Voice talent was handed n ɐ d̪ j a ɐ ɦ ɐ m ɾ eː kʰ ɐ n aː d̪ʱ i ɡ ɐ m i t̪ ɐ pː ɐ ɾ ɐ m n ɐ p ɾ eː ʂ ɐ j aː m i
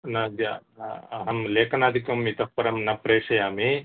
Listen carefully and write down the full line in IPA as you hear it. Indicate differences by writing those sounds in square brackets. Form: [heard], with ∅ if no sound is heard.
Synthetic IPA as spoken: n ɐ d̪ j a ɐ ɦ ɐ m [l] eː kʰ ɐ n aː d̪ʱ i [k] ɐ m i t̪ ɐ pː ɐ ɾ ɐ m n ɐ p ɾ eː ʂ ɐ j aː m i

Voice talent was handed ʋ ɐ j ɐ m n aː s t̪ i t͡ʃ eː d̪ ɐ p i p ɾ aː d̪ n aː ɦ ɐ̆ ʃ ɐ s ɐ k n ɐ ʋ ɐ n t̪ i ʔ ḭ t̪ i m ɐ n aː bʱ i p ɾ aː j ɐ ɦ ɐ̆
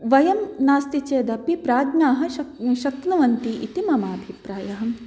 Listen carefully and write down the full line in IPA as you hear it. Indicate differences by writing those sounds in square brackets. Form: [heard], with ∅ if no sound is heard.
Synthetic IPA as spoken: ʋ ɐ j ɐ m n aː s t̪ i t͡ʃ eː d̪ ɐ p i p ɾ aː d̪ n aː ɦ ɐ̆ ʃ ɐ [ʃ] ɐ k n ɐ ʋ ɐ n t̪ i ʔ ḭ t̪ i m ɐ [m] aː bʱ i p ɾ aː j ɐ ɦ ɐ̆

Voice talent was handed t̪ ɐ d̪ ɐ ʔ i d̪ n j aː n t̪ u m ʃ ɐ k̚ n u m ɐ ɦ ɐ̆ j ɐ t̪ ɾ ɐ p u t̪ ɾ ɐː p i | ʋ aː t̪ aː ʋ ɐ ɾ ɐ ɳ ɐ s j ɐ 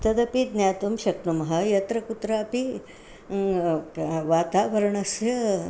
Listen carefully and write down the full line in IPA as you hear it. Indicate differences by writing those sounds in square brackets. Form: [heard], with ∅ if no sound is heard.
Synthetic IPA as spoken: t̪ ɐ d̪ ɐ [p] i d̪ n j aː [∅] t̪ u m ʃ ɐ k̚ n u m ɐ ɦ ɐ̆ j ɐ t̪ ɾ ɐ [k] u t̪ ɾ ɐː p i | ʋ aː t̪ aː ʋ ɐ ɾ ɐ ɳ ɐ s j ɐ

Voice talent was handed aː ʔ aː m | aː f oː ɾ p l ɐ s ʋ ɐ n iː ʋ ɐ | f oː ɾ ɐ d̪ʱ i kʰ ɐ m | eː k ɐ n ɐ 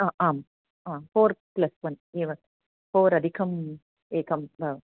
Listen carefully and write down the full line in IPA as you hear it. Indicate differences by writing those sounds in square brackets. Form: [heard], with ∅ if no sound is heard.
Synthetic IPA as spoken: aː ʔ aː m | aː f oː ɾ p l ɐ s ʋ ɐ n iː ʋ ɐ | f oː ɾ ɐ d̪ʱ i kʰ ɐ m | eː k ɐ [m] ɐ

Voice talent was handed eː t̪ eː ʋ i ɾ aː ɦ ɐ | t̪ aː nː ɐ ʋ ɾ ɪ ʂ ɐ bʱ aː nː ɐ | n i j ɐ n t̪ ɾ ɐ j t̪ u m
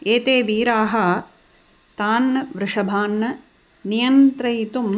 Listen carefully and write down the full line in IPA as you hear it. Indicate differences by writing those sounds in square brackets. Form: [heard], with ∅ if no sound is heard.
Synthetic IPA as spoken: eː t̪ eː ʋ [iː] ɾ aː ɦ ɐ | t̪ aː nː ɐ ʋ ɾ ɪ ʂ ɐ bʱ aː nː ɐ | n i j ɐ n t̪ ɾ ɐ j t̪ u m

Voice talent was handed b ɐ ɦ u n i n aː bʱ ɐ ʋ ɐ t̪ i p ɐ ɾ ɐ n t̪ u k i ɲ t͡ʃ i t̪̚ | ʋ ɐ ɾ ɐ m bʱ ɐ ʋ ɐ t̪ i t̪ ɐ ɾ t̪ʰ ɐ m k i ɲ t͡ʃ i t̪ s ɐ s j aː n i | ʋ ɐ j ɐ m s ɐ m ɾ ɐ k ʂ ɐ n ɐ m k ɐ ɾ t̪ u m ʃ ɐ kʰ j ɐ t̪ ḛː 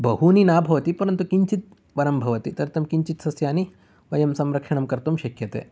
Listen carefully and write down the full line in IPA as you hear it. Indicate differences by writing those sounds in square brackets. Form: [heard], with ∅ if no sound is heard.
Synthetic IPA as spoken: b ɐ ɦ u n i n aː bʱ ɐ ʋ ɐ t̪ i p ɐ ɾ ɐ n t̪ u k i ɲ t͡ʃ i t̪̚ | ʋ ɐ ɾ ɐ m bʱ ɐ ʋ ɐ t̪ i t̪ ɐ ɾ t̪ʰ ɐ m k i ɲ t͡ʃ i t̪ s ɐ s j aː n i | ʋ ɐ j ɐ m s ɐ m ɾ ɐ k ʂ ɐ [ɳ] ɐ m k ɐ ɾ t̪ u m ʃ ɐ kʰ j ɐ t̪ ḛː

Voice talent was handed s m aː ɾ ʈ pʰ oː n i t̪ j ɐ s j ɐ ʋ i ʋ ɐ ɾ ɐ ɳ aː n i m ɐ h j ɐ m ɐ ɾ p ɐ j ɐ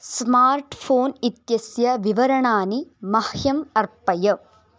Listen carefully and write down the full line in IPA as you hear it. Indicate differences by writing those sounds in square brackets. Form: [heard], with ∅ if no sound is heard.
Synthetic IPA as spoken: s m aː ɾ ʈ pʰ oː n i t̪ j ɐ s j ɐ ʋ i ʋ ɐ ɾ ɐ ɳ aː n i m ɐ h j ɐ m ɐ ɾ p ɐ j ɐ

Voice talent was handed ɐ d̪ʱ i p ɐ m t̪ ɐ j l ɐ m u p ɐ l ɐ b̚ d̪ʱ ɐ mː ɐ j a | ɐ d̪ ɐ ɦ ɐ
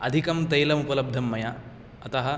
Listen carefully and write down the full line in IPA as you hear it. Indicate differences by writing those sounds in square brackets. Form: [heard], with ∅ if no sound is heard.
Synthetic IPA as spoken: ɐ d̪ʱ i [k] ɐ m t̪ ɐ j l ɐ m u p ɐ l ɐ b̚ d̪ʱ ɐ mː ɐ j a | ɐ [t̪] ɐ ɦ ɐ

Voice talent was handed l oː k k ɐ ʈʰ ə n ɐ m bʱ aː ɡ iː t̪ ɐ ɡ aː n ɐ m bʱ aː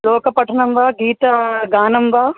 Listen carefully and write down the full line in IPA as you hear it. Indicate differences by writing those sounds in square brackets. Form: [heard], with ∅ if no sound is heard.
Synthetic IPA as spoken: l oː k [p] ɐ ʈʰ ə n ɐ m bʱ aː ɡ iː t̪ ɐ ɡ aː n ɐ m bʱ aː

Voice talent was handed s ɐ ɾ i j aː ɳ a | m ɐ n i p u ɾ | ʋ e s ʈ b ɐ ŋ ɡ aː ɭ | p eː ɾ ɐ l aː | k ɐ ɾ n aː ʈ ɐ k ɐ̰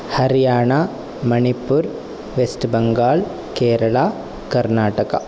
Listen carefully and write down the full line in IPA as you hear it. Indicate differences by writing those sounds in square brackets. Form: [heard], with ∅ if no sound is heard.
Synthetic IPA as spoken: [h] ɐ ɾ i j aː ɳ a | m ɐ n i p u ɾ | ʋ e s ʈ b ɐ ŋ ɡ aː ɭ | [k] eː ɾ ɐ [ɭ] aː | k ɐ ɾ n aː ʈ ɐ k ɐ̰

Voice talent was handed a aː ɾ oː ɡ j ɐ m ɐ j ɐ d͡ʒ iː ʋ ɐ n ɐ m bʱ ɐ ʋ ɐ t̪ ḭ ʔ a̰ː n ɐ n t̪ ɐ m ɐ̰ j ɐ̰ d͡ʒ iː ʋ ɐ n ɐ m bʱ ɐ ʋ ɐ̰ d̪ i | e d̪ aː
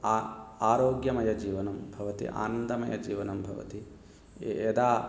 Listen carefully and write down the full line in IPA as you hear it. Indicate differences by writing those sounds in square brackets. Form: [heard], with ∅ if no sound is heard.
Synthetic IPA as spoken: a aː ɾ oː ɡ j ɐ m ɐ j ɐ d͡ʒ iː ʋ ɐ n ɐ m bʱ ɐ ʋ ɐ t̪ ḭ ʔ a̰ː n ɐ n [d̪] ɐ m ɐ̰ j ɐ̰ d͡ʒ iː ʋ ɐ n ɐ m bʱ ɐ ʋ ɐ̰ [t̪] i | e d̪ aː

